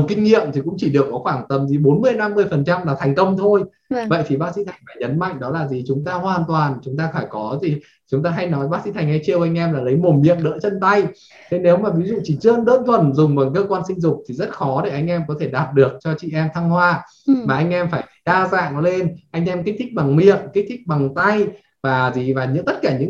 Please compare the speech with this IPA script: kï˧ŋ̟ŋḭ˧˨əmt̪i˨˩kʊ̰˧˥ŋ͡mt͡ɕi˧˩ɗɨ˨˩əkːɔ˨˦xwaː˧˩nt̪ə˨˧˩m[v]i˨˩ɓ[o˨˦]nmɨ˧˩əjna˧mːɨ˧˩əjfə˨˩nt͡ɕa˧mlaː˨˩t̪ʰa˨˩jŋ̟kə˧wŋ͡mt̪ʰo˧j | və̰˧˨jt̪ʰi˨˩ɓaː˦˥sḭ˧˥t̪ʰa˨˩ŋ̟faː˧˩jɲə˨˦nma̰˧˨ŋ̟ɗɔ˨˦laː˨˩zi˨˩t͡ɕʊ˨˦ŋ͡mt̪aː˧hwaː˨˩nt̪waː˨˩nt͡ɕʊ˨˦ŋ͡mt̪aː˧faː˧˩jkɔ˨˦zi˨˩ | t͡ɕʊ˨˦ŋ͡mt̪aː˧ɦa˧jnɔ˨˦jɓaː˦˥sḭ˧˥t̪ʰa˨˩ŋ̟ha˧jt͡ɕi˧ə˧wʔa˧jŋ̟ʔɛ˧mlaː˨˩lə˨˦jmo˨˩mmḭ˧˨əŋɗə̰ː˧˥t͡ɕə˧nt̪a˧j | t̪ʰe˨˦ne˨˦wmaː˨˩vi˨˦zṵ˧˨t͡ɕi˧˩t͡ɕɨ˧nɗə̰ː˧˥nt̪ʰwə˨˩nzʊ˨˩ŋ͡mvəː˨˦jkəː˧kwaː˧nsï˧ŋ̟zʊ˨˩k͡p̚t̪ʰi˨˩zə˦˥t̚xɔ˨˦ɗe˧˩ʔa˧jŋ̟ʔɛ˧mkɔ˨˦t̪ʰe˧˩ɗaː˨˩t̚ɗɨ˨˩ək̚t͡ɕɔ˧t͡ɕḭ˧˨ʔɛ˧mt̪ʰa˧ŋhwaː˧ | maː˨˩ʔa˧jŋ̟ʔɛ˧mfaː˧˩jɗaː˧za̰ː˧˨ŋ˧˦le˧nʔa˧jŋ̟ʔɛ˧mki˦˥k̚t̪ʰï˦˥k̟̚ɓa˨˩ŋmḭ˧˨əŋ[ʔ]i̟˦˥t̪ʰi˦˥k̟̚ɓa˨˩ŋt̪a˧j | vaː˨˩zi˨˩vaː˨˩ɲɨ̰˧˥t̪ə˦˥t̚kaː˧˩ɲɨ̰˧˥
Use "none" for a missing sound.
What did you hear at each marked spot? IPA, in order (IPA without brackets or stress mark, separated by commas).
z, o˨˦, k